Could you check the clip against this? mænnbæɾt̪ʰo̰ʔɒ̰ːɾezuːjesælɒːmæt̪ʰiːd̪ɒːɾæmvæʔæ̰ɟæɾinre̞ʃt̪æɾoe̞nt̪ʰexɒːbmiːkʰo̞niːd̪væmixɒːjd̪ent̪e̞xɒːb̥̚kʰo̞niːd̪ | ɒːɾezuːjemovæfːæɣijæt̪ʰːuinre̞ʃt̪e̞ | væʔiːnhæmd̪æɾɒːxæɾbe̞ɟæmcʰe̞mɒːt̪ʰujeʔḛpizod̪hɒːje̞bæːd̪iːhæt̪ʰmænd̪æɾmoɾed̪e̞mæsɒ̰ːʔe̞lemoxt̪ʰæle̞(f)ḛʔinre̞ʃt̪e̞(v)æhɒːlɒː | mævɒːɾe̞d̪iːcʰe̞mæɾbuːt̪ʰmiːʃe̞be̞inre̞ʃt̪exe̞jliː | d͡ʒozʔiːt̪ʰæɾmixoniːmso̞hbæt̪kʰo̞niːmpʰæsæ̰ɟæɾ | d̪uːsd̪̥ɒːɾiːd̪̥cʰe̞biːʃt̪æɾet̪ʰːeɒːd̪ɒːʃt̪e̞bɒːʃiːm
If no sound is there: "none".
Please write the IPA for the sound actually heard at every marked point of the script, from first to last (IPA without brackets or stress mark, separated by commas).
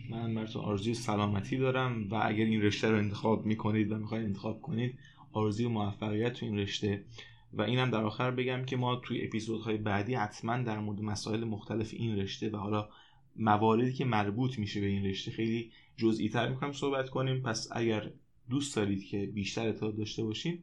f, v